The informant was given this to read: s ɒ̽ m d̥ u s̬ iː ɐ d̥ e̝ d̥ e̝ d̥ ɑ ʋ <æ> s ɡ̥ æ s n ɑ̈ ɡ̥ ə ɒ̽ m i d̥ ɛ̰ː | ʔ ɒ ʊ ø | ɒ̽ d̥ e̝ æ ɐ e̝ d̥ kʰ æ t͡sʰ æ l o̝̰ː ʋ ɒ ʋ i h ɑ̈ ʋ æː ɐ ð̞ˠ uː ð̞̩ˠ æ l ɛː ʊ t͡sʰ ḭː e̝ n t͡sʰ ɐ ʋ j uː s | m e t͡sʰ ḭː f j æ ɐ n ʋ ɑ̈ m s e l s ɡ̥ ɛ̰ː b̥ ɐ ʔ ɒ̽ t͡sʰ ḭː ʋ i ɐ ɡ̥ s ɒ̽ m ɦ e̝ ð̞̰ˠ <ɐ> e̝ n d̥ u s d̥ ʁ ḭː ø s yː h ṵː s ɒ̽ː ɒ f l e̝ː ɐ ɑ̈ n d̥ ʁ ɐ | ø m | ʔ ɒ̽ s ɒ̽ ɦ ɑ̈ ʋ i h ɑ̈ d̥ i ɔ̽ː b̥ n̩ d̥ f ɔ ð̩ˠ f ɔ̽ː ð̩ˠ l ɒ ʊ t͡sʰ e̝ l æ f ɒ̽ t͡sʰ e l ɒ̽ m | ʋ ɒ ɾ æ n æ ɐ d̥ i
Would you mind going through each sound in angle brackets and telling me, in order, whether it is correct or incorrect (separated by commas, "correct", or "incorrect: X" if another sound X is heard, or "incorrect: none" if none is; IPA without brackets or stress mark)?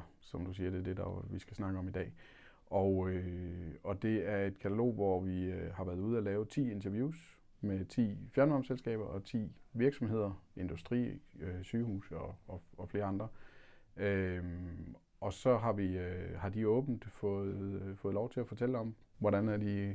incorrect: i, correct